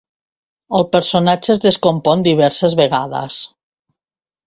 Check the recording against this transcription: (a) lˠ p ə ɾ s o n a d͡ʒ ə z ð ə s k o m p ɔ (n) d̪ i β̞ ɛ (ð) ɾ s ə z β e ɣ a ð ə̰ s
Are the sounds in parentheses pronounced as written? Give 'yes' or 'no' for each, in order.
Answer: no, yes, no

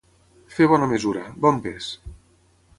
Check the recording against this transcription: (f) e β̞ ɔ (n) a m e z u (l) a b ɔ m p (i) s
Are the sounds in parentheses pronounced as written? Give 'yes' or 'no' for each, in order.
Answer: yes, yes, no, no

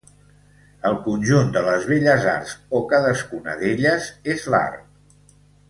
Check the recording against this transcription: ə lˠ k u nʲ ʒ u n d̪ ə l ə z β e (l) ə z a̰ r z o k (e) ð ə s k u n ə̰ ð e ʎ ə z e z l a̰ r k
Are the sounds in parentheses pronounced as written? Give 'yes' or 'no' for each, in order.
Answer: no, no

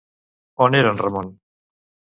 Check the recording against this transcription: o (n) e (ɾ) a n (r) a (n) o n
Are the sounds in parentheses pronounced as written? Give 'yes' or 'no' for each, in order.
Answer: yes, yes, yes, no

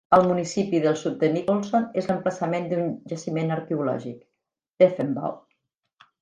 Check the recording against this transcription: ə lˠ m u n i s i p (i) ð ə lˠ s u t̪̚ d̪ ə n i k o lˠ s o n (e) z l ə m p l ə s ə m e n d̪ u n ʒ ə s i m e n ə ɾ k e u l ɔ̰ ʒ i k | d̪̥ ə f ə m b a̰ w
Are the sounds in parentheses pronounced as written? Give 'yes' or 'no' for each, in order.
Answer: yes, yes

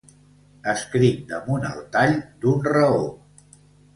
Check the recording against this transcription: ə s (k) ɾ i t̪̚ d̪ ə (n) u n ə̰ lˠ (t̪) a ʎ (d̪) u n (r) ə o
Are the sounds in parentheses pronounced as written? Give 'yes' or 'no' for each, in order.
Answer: yes, no, yes, yes, yes

